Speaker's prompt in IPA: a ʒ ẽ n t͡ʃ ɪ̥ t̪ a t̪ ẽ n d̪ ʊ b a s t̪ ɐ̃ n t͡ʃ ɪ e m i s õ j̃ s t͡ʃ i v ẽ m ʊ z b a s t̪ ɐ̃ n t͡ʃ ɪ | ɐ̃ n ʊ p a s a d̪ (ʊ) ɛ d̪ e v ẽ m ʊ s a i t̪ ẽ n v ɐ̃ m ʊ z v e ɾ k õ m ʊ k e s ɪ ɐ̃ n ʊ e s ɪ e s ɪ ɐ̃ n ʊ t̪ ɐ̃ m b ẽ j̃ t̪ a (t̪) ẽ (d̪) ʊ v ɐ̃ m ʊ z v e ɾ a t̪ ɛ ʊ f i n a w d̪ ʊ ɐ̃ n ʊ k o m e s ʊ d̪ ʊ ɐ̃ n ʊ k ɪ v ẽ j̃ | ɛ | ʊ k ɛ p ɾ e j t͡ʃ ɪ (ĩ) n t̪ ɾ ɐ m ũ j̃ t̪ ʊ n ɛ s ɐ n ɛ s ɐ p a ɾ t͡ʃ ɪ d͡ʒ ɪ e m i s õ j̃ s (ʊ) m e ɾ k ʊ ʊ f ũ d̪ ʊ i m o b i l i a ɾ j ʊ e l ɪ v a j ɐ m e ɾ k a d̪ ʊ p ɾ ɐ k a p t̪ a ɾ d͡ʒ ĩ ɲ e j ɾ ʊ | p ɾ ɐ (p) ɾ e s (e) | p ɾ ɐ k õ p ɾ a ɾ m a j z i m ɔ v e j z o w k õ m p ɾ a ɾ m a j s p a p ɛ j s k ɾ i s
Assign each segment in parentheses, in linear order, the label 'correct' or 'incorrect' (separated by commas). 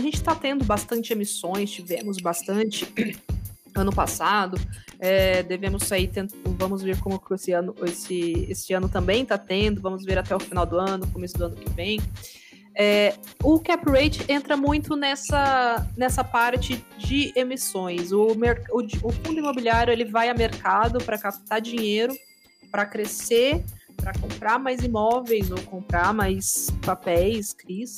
correct, correct, correct, incorrect, correct, incorrect, correct